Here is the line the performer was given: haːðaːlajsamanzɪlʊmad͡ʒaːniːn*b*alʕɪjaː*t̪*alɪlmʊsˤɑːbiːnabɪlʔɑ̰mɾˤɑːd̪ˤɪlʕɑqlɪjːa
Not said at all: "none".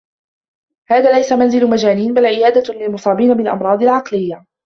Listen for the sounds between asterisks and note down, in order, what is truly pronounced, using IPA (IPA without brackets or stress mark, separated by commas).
b, d̪